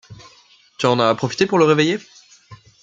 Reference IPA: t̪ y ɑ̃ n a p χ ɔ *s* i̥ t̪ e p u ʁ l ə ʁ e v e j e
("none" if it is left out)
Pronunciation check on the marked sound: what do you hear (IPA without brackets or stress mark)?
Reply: f